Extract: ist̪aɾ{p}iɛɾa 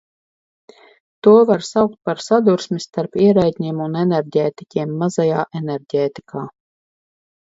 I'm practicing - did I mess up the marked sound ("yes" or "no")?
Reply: no